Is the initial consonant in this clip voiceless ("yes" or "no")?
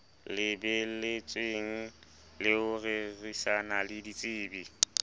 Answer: no